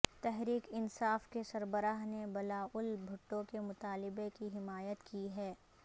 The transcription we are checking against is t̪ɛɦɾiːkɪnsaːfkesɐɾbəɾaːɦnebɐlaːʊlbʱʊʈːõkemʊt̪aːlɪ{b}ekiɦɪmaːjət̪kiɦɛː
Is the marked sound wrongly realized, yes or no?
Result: no